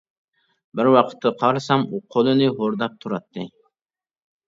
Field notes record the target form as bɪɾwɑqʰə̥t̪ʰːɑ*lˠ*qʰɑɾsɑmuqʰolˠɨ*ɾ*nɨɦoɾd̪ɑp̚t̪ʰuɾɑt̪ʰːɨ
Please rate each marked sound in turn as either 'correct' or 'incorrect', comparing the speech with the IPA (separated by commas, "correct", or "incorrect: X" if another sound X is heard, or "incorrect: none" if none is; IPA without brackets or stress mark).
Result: incorrect: none, incorrect: none